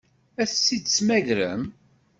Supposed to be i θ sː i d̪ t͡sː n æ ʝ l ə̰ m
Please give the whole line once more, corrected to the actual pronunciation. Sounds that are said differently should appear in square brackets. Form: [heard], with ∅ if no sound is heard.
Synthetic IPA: [æ] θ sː i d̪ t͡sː [m] æ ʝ [ɾ] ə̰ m